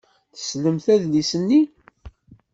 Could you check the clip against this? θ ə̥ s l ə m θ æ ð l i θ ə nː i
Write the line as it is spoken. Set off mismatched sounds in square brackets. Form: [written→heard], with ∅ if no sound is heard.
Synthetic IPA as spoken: θ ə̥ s l ə m θ æ ð l i [θ→s] ə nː i